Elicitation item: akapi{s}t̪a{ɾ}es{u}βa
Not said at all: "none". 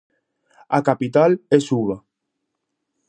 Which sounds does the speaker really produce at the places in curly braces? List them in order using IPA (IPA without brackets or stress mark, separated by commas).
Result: none, l, u